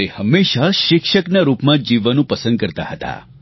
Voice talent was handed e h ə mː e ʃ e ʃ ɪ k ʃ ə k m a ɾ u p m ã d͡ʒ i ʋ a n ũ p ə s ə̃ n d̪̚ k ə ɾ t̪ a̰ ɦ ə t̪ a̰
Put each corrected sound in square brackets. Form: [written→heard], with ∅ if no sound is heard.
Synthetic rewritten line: e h ə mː e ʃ [e→a] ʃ ɪ k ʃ ə k [m→n] a ɾ u p m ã d͡ʒ i ʋ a n ũ p ə s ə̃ n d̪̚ k ə ɾ t̪ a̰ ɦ ə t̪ a̰

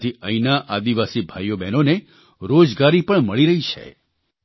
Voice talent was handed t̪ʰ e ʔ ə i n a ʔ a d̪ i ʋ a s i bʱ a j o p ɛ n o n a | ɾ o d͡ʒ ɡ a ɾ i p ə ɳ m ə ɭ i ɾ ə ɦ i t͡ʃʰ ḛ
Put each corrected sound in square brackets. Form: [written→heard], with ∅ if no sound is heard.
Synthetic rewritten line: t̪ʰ [e→i] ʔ ə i n a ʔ a d̪ i ʋ a s i bʱ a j o [p→b] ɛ n o n [a→e] | ɾ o d͡ʒ ɡ a ɾ i p ə ɳ m ə ɭ i ɾ ə ɦ i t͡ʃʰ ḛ

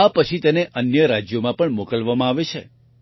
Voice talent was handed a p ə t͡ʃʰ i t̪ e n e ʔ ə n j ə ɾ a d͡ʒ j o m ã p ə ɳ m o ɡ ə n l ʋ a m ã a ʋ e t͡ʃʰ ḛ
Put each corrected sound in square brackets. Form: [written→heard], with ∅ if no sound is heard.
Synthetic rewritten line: a p ə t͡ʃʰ i t̪ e n e ʔ ə n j ə ɾ a d͡ʒ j o m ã p ə ɳ m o [ɡ→k] ə [n→∅] l ʋ a m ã a ʋ e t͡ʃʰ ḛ

